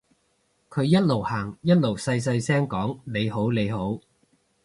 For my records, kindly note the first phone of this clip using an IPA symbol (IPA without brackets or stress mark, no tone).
kʰ